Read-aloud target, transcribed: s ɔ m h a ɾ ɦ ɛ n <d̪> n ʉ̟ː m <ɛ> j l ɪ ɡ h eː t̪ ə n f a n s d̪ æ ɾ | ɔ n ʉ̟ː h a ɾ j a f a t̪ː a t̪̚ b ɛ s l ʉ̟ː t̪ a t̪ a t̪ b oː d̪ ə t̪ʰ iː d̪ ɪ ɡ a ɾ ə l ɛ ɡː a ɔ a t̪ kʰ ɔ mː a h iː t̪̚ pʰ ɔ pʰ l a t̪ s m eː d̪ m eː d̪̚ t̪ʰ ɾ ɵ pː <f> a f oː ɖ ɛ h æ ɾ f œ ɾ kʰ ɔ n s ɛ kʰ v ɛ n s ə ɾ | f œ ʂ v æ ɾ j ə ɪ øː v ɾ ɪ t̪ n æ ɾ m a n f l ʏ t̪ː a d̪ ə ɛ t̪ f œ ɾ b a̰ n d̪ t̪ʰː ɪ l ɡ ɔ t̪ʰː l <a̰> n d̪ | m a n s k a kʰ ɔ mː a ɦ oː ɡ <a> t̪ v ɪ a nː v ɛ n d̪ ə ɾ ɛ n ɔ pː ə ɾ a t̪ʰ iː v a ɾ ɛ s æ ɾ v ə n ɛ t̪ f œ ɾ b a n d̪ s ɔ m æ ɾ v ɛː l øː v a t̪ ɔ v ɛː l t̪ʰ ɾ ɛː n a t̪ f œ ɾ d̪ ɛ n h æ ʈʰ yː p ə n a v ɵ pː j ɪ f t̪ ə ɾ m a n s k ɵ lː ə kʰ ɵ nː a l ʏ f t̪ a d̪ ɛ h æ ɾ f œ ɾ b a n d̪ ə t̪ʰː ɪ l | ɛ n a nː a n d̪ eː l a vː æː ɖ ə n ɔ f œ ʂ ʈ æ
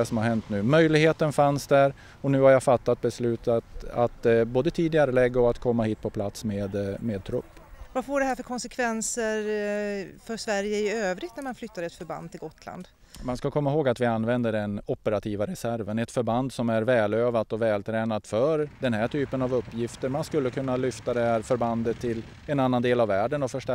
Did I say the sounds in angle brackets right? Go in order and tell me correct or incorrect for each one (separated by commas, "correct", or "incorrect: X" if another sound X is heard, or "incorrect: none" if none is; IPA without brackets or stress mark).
incorrect: t̪, incorrect: œ, incorrect: v, correct, correct